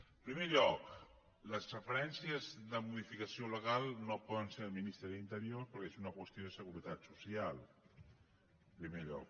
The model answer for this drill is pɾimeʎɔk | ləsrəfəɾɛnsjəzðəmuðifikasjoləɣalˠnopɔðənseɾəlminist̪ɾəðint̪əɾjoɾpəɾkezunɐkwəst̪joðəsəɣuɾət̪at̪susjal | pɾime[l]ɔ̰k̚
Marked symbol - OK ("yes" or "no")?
no